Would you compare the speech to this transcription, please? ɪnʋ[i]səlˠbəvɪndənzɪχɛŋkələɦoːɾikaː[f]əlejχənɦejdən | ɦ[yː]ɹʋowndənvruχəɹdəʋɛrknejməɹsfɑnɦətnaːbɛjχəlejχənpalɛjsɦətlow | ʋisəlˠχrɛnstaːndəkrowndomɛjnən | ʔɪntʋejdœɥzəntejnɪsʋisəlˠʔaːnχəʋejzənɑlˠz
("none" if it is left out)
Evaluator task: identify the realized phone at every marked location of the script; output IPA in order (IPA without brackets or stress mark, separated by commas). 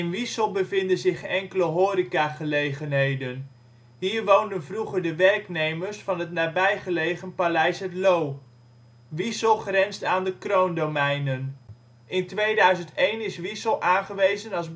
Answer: i, χ, iː